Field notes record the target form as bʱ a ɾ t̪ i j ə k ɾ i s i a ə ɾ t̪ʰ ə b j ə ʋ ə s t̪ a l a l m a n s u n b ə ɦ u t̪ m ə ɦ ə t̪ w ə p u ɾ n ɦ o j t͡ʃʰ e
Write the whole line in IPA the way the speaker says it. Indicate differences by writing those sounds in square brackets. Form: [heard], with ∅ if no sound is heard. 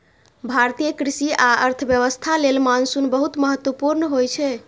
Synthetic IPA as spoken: bʱ a ɾ t̪ i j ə k ɾ i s i a ə ɾ t̪ʰ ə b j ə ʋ ə s [t̪ʰ] a l [e] l m a n s u n b ə ɦ u t̪ m ə ɦ ə t̪ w ə p u ɾ n ɦ o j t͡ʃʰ [ɛ]